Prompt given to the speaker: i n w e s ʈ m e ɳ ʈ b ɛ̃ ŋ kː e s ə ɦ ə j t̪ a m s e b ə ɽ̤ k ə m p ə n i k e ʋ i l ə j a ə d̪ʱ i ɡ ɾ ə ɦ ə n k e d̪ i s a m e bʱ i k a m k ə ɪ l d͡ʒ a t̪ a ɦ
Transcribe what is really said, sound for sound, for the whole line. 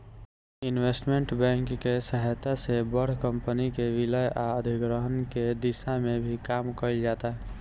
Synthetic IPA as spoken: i n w e s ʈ m e ɳ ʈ b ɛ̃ ŋ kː e s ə ɦ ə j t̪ a s e b ə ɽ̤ k ə m p ə n i k e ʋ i l ə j a ə d̪ʱ i ɡ ɾ ə ɦ ə n k e d̪ i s a m e bʱ i k a m k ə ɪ l d͡ʒ a t̪ a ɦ